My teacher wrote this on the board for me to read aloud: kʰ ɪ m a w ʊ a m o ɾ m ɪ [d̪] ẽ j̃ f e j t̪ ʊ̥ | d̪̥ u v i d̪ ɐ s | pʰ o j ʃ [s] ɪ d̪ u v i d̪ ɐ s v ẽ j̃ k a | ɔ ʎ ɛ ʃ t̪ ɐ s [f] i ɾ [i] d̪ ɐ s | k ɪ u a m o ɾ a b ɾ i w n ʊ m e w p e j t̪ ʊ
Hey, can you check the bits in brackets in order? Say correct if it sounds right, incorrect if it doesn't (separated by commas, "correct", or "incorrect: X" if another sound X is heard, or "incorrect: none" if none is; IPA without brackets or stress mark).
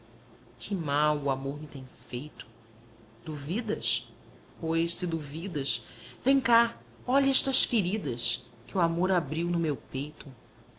incorrect: t̪, correct, correct, correct